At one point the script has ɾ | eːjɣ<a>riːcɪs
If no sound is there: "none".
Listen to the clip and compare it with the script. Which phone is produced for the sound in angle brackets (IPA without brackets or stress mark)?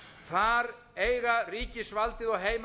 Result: a